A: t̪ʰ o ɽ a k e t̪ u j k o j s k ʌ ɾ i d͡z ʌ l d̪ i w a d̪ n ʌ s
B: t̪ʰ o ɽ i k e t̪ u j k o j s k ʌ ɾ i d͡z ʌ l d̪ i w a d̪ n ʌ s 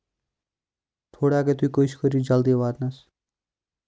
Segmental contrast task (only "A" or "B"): A